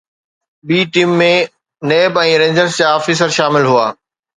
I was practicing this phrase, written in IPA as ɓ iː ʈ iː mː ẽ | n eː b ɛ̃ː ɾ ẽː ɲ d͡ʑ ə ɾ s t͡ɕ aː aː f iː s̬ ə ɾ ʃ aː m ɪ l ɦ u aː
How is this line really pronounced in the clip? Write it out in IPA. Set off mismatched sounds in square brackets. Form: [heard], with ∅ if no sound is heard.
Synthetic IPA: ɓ iː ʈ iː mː ẽ | n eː b ɛ̃ː ɾ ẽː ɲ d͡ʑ ə ɾ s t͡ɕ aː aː f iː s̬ ə ɾ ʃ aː m ɪ l ɦ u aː